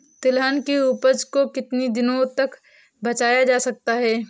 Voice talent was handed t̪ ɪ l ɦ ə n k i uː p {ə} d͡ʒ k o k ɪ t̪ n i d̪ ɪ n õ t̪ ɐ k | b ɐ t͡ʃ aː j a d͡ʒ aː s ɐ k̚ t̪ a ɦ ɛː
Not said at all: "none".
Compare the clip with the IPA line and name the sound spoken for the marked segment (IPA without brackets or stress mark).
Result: ə